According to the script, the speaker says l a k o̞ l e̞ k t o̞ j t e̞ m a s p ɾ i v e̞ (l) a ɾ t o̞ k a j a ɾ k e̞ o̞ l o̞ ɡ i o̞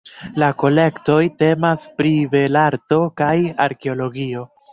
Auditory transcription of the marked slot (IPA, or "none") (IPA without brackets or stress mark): l